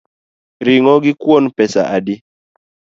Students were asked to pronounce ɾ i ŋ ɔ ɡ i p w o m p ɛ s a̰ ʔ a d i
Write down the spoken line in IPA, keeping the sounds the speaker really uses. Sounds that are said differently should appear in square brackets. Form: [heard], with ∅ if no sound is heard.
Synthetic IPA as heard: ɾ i ŋ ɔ ɡ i [k] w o [n] p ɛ s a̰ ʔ a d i